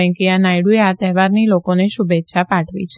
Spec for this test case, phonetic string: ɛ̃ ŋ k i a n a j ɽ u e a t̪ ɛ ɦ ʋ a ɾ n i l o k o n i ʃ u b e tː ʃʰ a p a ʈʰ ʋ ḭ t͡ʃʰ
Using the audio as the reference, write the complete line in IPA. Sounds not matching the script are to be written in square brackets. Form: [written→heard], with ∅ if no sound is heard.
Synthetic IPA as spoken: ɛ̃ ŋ k i a n a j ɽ u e a t̪ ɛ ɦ ʋ a ɾ n i l o k o n [i→e] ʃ u b e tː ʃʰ a p a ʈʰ ʋ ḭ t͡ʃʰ